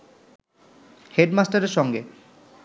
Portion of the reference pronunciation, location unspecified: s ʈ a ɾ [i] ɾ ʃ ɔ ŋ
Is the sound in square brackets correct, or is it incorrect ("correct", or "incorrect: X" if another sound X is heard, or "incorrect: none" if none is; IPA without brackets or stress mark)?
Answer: incorrect: e